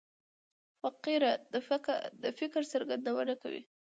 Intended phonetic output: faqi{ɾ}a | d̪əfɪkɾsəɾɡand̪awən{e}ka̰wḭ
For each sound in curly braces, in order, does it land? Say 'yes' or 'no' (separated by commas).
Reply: yes, no